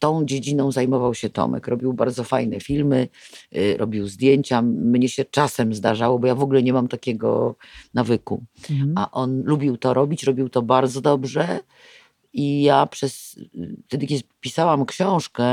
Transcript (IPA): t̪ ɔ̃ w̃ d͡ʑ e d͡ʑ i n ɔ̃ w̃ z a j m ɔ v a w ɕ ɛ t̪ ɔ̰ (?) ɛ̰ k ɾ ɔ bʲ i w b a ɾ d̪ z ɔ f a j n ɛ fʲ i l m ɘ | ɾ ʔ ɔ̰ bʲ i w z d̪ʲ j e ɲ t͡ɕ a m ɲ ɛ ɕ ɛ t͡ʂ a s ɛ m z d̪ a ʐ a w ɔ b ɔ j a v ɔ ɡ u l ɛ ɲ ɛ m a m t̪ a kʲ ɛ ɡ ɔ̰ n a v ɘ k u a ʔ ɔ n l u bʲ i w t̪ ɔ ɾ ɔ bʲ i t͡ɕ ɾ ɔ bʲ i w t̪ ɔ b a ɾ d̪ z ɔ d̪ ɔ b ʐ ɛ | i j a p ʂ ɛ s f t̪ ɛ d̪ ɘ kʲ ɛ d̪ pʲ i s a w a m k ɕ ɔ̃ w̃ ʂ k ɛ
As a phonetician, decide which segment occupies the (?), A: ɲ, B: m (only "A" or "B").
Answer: B